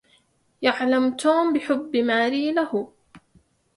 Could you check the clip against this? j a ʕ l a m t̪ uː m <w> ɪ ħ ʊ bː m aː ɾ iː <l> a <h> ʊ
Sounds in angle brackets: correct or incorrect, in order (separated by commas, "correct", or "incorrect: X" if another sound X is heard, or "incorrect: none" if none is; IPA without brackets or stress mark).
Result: incorrect: b, correct, correct